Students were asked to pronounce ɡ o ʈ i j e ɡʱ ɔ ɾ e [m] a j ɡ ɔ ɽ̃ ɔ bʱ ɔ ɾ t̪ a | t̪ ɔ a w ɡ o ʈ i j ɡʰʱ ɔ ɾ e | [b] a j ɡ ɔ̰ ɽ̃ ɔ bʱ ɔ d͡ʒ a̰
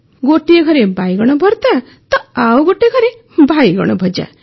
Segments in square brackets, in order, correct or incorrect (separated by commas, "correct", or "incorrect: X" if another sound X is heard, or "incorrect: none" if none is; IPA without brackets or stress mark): incorrect: b, correct